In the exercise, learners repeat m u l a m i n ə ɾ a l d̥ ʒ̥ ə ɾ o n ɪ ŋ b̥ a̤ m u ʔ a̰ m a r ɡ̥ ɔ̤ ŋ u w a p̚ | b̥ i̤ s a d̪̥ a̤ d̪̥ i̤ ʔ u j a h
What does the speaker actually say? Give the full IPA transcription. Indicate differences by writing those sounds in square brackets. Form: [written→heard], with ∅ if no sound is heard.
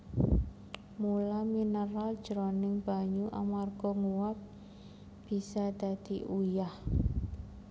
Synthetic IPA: m u l a m i n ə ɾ a l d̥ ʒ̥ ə ɾ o n ɪ ŋ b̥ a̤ [m→ɲ] u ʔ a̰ m a r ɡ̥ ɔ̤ ŋ u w a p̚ | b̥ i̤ s a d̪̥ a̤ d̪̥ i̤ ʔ u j a h